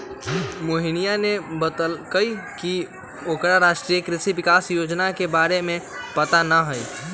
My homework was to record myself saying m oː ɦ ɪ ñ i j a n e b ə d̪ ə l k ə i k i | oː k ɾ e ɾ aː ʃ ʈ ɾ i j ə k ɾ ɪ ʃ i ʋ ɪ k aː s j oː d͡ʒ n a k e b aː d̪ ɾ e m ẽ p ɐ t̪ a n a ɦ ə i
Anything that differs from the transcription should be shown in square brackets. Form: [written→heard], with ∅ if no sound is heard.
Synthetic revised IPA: m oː ɦ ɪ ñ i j a n e b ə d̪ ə l k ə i k i | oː k ɾ [e→a] ɾ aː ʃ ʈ ɾ i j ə k ɾ ɪ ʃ i ʋ ɪ k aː s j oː d͡ʒ n a k e b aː [d̪→∅] ɾ e m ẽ p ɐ t̪ a n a ɦ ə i